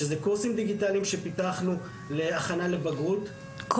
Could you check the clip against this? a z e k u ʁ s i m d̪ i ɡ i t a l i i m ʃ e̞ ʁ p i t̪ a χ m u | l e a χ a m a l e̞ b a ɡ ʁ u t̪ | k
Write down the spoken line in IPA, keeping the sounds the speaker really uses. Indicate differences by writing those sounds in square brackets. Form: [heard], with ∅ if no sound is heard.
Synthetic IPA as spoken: [e] z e k u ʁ s i m d̪ i ɡ i t a l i i m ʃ e̞ [∅] p i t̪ a χ [n] u | l e a χ a [n] a l e̞ b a ɡ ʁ u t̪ | k